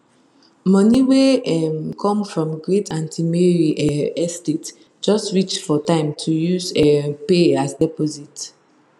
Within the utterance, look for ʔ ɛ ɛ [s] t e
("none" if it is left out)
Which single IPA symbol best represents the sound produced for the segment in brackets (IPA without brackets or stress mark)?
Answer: s